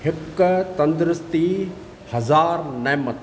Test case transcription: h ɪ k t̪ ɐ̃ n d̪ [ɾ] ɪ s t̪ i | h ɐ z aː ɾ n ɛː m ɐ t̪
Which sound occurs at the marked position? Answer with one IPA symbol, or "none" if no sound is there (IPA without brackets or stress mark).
ɾ